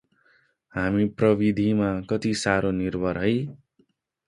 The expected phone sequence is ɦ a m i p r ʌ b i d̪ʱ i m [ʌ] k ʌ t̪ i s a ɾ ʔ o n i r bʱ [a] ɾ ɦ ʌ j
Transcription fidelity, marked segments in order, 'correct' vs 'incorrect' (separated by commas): incorrect, incorrect